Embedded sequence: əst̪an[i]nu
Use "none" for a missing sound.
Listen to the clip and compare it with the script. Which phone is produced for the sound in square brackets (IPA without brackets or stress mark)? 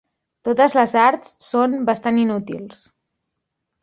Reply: i